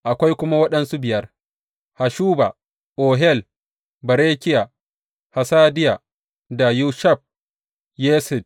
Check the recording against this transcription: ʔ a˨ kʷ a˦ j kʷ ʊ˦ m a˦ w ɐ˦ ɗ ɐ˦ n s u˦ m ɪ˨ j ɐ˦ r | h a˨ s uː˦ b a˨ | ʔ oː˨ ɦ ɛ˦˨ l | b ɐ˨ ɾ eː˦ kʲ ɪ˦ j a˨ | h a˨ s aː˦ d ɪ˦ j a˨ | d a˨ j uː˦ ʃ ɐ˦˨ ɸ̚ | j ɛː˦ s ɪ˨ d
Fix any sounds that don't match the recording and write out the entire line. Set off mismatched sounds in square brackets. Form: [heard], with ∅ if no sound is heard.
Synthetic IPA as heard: ʔ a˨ kʷ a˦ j kʷ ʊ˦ m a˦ w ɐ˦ ɗ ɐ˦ n s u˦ [b] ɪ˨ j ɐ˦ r | h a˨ [ʃ] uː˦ b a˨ | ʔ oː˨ ɦ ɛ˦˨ l | b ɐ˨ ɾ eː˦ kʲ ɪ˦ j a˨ | h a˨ s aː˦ d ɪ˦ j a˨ | d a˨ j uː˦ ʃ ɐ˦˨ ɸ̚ | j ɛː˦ s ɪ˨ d